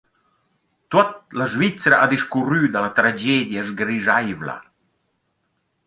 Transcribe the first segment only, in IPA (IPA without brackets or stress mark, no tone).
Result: t̪